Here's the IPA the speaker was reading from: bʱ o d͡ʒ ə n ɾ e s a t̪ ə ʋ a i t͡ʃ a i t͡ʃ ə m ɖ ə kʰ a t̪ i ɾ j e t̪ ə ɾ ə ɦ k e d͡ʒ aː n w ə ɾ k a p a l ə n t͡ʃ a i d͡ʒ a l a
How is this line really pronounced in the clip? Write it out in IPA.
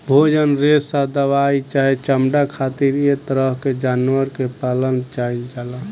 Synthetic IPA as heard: bʱ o d͡ʒ ə n ɾ e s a d̪ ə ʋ a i t͡ʃ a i t͡ʃ ə m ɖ a kʰ a t̪ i ɾ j e t̪ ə ɾ ə ɦ k e d͡ʒ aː n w ə ɾ k e p a l ə n t͡ʃ a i d͡ʒ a l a